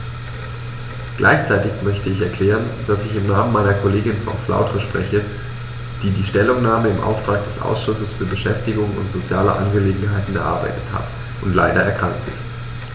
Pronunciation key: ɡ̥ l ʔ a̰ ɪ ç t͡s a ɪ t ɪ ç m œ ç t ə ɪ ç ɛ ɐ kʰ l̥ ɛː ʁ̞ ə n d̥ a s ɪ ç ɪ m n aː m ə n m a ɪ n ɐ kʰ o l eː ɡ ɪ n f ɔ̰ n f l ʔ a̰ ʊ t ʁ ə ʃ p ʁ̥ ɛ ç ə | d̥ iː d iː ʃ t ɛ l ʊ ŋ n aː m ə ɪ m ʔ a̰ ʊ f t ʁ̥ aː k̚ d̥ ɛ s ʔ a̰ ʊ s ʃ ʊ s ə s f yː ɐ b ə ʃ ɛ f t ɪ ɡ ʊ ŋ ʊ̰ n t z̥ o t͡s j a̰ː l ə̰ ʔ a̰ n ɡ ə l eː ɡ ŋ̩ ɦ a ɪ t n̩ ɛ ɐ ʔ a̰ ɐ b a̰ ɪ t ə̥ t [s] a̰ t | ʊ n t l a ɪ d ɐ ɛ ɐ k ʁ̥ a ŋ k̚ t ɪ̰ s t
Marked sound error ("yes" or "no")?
yes